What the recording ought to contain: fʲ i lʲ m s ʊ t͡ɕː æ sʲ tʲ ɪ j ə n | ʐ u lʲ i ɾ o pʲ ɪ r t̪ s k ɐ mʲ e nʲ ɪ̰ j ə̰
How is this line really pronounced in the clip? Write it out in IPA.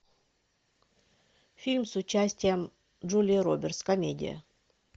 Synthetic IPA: fʲ i lʲ m s ʊ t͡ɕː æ sʲ tʲ ɪ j ə m | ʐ u lʲ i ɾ o bʲ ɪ r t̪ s k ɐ mʲ e dʲ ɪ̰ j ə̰